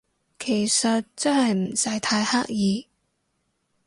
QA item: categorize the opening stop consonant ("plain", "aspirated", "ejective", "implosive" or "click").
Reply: aspirated